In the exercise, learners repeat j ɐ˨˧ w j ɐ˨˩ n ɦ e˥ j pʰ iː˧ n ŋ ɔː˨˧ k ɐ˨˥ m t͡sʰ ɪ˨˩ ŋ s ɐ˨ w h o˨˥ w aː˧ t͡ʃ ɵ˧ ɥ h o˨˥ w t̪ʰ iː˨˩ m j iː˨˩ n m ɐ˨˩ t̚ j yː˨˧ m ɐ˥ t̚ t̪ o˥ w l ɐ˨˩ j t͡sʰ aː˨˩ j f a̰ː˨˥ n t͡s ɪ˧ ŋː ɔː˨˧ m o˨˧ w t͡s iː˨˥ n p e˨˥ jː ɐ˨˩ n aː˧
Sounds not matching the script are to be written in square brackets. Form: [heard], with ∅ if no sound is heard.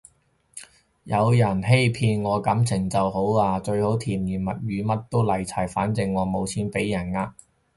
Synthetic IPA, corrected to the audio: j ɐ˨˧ w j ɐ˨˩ n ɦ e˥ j pʰ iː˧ n ŋ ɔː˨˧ k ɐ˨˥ m t͡sʰ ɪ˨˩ ŋ [t͡s] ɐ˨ w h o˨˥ w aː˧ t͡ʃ ɵ˧ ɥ h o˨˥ w t̪ʰ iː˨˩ m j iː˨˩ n m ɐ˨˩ t̚ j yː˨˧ m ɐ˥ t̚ t̪ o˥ w l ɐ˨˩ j t͡sʰ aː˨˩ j f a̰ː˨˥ n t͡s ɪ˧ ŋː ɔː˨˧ m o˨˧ w [t͡sʰ] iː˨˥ n p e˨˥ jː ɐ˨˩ n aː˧